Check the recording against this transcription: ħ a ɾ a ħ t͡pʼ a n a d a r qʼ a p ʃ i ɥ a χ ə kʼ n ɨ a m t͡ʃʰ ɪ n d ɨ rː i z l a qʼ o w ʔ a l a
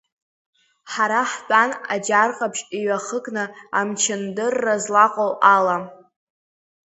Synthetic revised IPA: ħ a ɾ a ħ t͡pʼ a n a d͡ʒ a r qʼ a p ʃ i ɥ a χ ə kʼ n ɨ a m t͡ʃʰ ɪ n d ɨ rː a z l a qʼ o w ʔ a l a

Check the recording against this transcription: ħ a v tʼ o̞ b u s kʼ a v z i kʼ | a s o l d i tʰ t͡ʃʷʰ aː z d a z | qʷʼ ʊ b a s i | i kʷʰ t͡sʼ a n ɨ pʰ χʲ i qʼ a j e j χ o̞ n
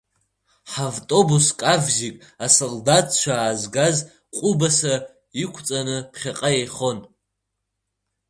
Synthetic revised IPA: ħ a v tʼ o̞ b u s kʼ a v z i kʼ | a s o l d a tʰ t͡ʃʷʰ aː z ɡ a z | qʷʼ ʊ b a s a | i kʷʰ t͡sʼ a n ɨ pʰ χʲ a qʼ a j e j χ o̞ n

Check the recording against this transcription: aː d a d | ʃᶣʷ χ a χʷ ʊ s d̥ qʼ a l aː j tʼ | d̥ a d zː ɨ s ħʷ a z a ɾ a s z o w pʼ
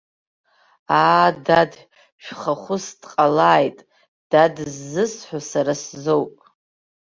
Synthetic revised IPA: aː d a d | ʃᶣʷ χ a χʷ ʊ s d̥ qʼ a l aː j tʼ | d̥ a d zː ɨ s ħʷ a s a ɾ a s z o w pʼ

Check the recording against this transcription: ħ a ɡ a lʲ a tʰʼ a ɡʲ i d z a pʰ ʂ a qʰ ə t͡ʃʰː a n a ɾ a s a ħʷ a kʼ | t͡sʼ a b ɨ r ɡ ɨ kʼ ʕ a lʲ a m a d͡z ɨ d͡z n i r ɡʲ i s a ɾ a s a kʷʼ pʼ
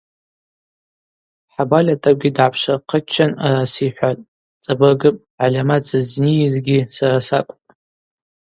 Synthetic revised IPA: ħ a b a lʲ a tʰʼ a ɡʲ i d ʕ a pʰ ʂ a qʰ ə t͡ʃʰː a n a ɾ a s i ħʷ a tʼ | t͡sʼ a b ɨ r ɡ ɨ pʼ ʕ a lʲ a m a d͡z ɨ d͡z n i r ɡʲ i s a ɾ a s a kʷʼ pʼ

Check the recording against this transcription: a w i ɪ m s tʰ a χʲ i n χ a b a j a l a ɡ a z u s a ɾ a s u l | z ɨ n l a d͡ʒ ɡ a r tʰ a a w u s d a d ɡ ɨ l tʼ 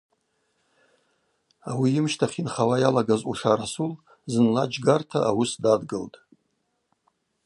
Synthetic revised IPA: a w i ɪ m ʃ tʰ a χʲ i n χ a w a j a l a ɡ a z u ʂ a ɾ a s u l | z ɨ n l a d͡ʒ ɡ a r tʰ a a w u s d a d ɡ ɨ l tʼ

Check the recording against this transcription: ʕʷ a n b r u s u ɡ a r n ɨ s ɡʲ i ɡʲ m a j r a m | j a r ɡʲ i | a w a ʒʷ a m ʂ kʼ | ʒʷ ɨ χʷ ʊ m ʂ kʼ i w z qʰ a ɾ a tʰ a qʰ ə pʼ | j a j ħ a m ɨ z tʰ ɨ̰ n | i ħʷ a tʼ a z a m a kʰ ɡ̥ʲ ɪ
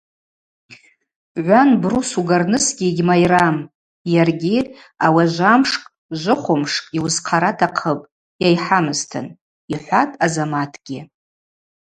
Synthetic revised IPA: ʕʷ a n b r u s u ɡ a r n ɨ s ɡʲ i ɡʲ m a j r a m | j a r ɡʲ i | a w a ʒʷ a m ʂ kʼ | ʒʷ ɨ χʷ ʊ m ʂ kʼ i w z qʰ a ɾ a tʰ a qʰ ə pʼ | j a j ħ a m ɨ z tʰ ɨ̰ n | i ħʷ a tʼ a z a m a tʰ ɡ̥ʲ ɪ

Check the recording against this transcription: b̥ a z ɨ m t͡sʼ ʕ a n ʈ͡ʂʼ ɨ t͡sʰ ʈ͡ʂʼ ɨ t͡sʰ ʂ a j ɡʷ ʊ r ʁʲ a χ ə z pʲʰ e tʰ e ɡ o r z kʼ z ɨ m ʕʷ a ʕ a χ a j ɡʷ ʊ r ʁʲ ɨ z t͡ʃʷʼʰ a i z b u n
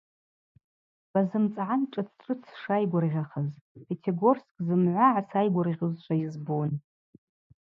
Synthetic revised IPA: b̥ a z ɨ m t͡sʼ ʕ a n ʈ͡ʂʼ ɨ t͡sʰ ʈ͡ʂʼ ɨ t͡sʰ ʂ a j ɡʷ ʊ r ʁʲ a χ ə z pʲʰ e tʰ e ɡ o r s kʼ z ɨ m ʕʷ a ʕ a s a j ɡʷ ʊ r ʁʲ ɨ z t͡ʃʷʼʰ a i z b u n

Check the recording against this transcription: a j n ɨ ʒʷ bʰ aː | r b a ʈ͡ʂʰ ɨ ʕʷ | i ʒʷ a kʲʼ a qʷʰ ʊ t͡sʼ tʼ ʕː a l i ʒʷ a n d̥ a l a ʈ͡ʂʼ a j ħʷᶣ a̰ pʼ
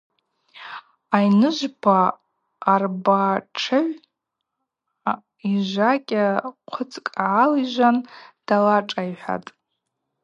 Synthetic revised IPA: a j n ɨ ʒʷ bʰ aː | r b a ʈ͡ʂʰ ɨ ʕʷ | i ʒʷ a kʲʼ a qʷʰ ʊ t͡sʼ kʼ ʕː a l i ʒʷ a n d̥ a l a ʈ͡ʂʼ a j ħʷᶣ a̰ tʼ

